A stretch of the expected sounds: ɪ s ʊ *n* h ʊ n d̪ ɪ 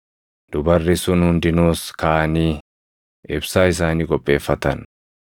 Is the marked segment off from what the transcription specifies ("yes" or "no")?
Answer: no